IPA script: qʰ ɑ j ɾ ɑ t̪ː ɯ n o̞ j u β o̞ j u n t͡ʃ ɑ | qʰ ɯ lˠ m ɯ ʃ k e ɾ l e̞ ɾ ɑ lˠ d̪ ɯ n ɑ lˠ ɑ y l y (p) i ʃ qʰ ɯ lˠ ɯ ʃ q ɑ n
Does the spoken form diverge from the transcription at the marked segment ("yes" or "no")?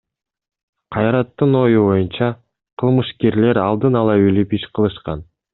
no